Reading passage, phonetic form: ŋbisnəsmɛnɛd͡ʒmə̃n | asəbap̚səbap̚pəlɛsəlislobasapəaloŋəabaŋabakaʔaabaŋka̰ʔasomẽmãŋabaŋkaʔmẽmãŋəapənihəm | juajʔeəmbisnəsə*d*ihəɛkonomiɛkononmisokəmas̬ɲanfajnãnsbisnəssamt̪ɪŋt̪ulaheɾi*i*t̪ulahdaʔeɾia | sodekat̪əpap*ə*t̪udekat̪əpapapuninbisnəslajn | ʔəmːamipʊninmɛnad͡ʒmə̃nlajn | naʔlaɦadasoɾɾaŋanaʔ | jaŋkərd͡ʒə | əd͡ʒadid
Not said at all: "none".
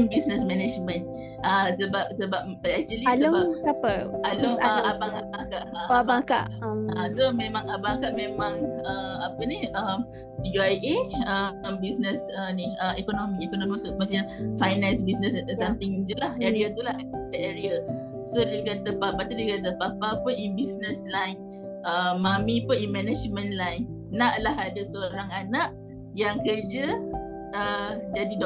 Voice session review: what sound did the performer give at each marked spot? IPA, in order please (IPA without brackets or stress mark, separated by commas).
n, a, a